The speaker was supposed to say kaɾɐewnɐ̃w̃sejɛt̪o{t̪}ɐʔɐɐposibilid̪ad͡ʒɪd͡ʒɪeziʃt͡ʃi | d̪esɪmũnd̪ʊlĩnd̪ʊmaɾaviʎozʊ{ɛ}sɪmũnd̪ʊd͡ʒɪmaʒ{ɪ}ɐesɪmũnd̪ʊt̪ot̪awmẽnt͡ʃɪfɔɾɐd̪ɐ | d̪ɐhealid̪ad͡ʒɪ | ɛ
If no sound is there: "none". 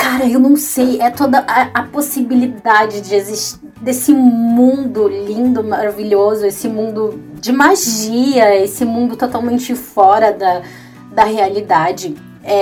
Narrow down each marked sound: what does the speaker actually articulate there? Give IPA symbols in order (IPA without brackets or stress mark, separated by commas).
d̪, e, i